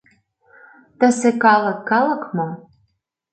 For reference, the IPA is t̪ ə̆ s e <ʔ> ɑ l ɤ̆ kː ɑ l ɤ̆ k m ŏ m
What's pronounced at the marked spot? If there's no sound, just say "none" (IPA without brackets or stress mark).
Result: k